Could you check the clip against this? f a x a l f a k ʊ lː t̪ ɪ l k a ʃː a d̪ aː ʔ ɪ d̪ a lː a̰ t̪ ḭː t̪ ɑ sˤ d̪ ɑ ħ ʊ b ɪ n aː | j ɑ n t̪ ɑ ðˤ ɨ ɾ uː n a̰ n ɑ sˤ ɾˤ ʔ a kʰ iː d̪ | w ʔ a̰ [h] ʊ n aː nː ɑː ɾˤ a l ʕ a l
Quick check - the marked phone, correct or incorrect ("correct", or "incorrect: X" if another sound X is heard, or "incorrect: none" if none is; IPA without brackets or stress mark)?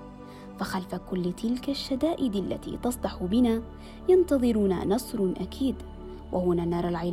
correct